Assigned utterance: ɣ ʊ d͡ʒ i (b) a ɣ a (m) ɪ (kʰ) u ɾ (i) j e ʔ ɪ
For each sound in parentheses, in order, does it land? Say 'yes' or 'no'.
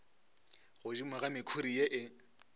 no, yes, yes, yes

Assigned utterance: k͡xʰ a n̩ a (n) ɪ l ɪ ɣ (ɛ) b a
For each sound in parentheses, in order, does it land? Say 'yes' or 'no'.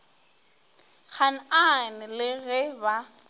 yes, yes

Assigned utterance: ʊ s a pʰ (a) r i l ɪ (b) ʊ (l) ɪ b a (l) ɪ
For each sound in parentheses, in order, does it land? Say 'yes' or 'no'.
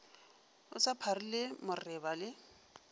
yes, no, no, yes

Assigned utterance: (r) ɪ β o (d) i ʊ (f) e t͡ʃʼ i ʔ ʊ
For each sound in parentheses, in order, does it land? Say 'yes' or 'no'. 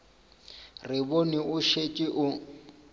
yes, no, no

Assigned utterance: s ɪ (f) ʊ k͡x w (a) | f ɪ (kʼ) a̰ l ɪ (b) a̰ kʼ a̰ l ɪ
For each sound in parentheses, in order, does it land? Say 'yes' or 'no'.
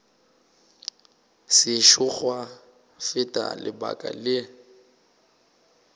no, yes, no, yes

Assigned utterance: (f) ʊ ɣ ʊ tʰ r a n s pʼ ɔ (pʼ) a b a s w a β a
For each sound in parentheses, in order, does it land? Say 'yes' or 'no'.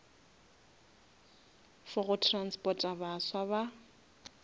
yes, no

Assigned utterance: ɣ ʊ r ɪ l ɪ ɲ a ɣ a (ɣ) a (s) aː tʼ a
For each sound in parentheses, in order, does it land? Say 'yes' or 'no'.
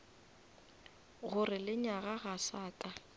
yes, yes

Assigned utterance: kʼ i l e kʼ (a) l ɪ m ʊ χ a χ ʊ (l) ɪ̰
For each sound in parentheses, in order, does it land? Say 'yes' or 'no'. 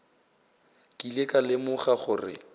yes, no

